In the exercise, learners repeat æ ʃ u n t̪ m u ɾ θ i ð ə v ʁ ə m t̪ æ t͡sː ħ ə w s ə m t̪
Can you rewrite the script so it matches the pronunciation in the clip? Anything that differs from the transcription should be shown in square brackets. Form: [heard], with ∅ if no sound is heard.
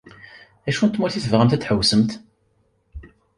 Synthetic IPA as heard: æ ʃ u n t̪ m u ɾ θ i [θ] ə v ʁ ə m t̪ æ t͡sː ħ ə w s ə m t̪